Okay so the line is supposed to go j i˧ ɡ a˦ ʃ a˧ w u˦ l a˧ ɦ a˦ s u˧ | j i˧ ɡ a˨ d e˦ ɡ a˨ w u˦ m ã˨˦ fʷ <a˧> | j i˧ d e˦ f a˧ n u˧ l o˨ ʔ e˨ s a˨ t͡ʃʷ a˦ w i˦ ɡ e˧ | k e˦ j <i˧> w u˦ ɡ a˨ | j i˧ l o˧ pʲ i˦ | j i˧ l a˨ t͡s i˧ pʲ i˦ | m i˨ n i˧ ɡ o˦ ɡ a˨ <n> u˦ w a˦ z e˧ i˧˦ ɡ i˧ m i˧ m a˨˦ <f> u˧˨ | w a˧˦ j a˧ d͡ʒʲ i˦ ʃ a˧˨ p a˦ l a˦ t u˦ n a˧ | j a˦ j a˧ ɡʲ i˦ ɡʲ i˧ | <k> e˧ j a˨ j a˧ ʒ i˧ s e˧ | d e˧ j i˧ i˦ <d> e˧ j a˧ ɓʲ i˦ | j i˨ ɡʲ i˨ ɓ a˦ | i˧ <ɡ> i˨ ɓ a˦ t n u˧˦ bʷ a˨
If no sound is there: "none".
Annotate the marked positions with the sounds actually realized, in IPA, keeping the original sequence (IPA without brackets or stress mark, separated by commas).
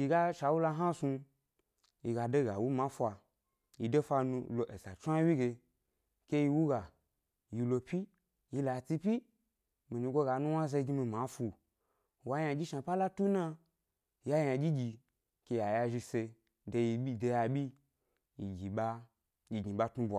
a˧, i˧, n, f, k, d, ɡ